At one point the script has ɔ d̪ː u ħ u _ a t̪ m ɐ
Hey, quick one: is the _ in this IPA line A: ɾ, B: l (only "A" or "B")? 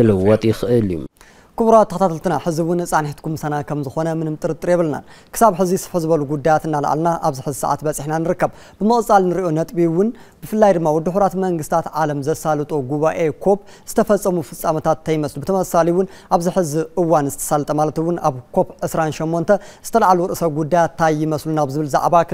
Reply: A